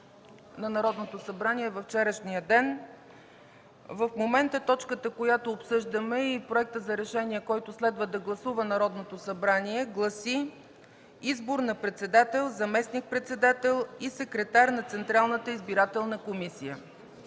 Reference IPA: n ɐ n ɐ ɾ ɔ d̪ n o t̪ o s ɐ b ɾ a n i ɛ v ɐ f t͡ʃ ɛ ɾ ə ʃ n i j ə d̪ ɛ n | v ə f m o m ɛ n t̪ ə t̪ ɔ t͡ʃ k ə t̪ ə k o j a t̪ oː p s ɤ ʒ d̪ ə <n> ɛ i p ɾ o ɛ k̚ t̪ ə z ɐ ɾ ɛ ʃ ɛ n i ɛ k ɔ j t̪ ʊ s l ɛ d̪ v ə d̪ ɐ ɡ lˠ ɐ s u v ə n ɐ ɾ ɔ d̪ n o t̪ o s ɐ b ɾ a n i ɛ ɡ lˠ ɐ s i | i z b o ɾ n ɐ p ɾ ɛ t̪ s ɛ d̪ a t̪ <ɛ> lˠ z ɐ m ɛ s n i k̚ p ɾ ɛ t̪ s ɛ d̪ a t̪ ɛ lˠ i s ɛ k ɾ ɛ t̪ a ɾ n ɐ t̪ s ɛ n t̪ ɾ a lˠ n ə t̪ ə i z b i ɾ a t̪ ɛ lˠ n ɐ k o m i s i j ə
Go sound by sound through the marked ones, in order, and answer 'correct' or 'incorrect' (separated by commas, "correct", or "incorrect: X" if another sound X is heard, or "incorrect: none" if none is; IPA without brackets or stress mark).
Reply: incorrect: m, correct